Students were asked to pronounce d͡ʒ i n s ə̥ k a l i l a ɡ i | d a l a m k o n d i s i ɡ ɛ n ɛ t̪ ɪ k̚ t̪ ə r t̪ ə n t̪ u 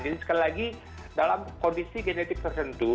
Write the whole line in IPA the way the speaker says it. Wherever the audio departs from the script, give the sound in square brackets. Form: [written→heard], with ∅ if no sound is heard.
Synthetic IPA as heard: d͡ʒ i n s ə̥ k a l i l a ɡ i | d a l a m k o n d i s i ɡ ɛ n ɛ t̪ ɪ k̚ t̪ ə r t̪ ə n t̪ u